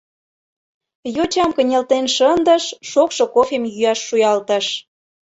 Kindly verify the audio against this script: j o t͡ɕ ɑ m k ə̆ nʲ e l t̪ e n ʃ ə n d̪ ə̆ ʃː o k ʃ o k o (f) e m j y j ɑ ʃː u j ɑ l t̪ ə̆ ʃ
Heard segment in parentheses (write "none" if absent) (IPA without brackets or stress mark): f